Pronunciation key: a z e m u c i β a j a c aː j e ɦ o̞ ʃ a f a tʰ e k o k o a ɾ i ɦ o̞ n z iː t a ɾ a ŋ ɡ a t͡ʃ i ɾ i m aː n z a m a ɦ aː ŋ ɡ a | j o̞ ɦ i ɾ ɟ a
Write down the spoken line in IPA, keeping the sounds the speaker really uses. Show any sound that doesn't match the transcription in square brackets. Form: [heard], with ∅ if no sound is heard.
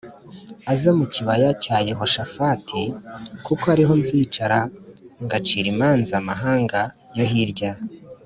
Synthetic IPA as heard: a z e m u c i β a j a c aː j e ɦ o̞ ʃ a f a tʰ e k [u] k o a ɾ i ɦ o̞ n z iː [t͡ʃ] a ɾ a ŋ ɡ a t͡ʃ i ɾ i m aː n z a m a ɦ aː ŋ ɡ a | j o̞ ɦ i ɾ ɟ a